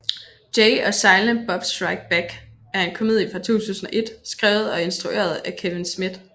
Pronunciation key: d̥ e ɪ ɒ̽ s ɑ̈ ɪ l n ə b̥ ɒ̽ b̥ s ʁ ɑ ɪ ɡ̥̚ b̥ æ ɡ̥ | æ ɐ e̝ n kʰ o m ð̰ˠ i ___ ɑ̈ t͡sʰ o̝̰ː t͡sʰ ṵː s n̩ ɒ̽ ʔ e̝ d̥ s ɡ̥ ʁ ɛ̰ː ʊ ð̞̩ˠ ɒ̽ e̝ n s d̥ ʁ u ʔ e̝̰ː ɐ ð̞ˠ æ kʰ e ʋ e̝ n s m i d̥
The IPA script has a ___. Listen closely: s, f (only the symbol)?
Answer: f